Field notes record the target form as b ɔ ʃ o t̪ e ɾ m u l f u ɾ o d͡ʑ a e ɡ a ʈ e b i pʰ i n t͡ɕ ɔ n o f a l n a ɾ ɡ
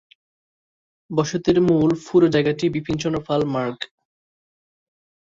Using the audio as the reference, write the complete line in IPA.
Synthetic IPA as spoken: b ɔ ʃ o t̪ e ɾ m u l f u ɾ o d͡ʑ a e ɡ a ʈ i b i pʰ i n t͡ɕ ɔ n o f a l m a ɾ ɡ